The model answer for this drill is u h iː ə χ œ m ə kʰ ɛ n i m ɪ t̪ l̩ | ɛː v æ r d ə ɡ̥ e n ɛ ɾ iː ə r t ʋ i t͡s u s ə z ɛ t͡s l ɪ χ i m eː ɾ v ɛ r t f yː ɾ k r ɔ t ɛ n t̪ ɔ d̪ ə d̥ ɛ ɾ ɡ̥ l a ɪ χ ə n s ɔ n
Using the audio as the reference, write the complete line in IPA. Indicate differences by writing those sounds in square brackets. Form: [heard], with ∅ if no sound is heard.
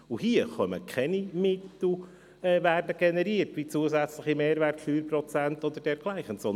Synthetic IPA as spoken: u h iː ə χ œ m ə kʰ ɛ n i m ɪ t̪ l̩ | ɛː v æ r d ə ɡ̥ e n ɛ ɾ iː ə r t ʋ i t͡s u [∅] ə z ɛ t͡s l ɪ χ i m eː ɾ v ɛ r t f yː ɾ [p] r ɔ [t͡s] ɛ n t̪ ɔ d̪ ə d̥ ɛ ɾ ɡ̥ l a ɪ χ ə n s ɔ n